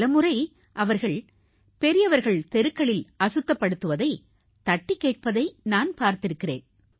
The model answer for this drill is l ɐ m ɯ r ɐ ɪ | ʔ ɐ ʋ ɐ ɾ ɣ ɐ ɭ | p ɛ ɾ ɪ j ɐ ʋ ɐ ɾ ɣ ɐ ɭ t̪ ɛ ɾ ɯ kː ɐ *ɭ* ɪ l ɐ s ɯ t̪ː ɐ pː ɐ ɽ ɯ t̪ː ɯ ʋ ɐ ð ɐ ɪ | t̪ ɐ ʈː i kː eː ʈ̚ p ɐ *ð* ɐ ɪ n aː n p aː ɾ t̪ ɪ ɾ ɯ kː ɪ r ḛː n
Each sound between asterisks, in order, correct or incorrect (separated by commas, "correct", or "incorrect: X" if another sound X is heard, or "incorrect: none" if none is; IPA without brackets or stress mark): correct, correct